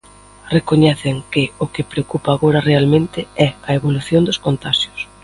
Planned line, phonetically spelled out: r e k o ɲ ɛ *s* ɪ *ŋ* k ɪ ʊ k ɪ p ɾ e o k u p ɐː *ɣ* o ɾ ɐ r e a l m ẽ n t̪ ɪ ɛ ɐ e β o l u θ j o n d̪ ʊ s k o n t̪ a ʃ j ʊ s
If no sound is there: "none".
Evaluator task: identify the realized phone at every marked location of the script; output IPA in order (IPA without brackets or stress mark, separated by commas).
θ, ŋ, ɣ